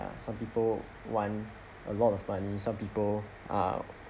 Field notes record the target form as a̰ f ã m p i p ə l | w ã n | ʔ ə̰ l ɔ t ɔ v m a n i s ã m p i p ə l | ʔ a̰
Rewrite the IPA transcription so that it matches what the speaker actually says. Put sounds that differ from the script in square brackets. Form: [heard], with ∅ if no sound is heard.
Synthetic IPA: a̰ [s] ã m p i p ə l | w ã n | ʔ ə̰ l ɔ t ɔ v m a n i s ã m p i p ə l | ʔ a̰